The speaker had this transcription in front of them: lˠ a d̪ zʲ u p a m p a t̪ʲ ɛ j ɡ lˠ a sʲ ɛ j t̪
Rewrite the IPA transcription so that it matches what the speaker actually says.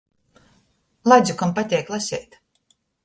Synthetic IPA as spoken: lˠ a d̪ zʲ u k a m p a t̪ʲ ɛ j k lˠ a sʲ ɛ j t̪